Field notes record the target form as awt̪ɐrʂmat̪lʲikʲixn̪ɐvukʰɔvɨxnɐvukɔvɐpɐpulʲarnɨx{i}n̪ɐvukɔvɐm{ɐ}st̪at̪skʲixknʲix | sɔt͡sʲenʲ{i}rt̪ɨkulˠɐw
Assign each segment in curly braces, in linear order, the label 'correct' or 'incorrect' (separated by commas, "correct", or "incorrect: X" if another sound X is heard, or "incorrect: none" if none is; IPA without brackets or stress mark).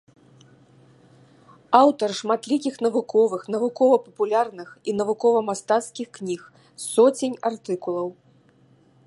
correct, incorrect: a, incorrect: a